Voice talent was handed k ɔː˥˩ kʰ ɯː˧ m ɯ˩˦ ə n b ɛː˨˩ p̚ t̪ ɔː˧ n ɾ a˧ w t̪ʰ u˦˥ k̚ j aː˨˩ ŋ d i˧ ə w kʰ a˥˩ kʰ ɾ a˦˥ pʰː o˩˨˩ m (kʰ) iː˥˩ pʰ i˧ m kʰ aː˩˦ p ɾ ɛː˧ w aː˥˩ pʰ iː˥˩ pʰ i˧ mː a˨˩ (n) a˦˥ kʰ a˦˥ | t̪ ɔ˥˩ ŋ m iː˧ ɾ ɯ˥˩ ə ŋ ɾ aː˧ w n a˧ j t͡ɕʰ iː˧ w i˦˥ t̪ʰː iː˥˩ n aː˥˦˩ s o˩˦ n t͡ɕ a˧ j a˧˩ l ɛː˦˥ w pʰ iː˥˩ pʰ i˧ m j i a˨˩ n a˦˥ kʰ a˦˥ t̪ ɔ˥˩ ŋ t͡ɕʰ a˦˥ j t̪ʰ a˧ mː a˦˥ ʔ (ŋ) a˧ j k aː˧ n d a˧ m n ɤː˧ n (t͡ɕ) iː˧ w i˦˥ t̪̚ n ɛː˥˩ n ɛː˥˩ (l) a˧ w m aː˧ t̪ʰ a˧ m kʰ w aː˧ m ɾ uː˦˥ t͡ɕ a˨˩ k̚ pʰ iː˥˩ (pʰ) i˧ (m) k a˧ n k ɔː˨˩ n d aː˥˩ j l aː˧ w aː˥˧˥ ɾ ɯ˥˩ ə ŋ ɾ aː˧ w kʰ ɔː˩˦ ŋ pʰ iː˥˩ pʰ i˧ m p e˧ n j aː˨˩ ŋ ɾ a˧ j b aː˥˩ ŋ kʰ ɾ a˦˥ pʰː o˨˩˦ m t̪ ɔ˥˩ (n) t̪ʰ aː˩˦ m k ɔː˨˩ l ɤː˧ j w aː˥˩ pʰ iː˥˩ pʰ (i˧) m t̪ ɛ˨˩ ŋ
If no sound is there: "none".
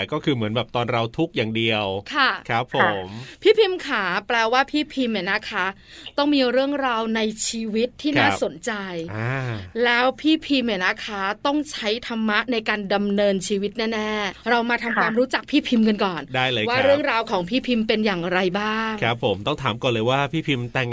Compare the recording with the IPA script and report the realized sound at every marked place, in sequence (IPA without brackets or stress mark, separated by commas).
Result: pʰ, n, n, t͡ɕʰ, ɾ, pʰ, m, ŋ, i˧